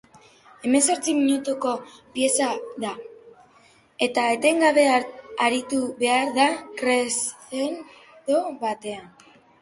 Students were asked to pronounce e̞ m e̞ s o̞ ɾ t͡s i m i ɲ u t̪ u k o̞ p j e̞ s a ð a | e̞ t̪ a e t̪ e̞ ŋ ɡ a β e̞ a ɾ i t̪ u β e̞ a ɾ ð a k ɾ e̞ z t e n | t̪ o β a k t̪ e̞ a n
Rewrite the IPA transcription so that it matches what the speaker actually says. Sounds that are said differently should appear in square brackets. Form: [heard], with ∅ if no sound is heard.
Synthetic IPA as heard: e̞ m e̞ s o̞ ɾ t͡s i m i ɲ u t̪ u k o̞ p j e̞ s a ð a | e̞ t̪ a e t̪ e̞ ŋ ɡ a β e̞ a ɾ i t̪ u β e̞ a ɾ ð a k ɾ e̞ [s] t e n | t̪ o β a [∅] t̪ e̞ a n